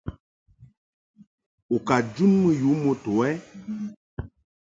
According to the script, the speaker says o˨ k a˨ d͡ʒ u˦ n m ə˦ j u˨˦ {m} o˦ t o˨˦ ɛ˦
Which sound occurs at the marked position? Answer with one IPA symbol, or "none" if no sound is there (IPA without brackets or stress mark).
m